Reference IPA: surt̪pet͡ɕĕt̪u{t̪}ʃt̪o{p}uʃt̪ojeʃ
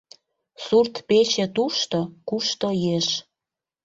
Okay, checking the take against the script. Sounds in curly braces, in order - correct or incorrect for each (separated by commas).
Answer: incorrect, incorrect